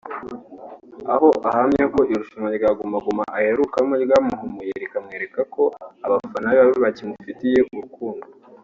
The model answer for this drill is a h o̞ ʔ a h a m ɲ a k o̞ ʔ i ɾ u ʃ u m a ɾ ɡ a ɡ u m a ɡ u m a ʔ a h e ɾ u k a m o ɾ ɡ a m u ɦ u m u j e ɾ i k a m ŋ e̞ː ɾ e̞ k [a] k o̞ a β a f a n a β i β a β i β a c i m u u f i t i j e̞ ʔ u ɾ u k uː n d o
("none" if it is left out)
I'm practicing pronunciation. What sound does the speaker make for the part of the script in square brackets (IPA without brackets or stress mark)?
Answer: a